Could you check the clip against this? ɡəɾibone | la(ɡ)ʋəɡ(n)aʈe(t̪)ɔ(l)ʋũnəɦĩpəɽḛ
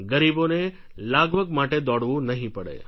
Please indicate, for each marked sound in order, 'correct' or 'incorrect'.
correct, incorrect, incorrect, incorrect

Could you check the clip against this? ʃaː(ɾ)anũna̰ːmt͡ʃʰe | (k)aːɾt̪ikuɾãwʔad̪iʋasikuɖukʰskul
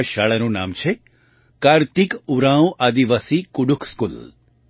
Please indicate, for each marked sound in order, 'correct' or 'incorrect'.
incorrect, correct

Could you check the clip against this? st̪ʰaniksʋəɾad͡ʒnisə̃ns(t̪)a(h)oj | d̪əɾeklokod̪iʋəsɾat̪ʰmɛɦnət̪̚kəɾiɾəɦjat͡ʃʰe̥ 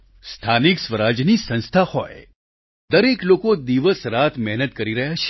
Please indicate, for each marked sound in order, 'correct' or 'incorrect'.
incorrect, correct

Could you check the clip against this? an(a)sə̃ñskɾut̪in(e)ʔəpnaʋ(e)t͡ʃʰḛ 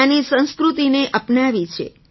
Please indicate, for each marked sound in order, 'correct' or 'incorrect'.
incorrect, correct, incorrect

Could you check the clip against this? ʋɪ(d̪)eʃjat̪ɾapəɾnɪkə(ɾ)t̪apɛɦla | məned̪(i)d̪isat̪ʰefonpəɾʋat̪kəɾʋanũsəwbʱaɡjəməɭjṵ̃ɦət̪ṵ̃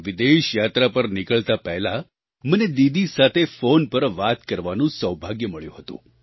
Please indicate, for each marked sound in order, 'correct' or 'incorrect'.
correct, incorrect, correct

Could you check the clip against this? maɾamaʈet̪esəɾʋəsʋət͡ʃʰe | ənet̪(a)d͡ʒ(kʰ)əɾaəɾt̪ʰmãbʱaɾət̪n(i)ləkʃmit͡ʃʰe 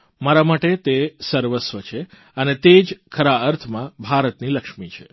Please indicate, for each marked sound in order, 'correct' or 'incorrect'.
incorrect, correct, correct

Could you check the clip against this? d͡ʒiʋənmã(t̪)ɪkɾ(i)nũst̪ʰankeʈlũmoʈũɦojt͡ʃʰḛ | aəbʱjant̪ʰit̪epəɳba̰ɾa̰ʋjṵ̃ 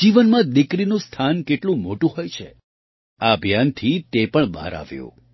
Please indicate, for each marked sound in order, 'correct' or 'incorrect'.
incorrect, correct

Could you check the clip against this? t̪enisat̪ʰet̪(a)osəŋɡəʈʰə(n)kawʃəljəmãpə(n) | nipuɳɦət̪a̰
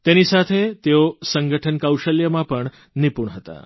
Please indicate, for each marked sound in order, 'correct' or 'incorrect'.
incorrect, correct, incorrect

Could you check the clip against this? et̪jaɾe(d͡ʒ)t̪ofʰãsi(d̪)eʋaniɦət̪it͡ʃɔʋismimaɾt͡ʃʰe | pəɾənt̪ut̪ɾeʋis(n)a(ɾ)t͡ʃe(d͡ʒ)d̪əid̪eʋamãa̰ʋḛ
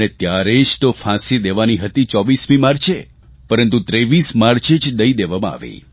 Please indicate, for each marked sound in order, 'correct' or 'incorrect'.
correct, correct, incorrect, correct, correct

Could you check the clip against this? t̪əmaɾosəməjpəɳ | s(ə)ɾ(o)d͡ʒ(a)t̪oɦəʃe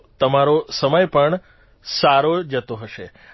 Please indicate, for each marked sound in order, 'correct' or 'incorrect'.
incorrect, correct, incorrect

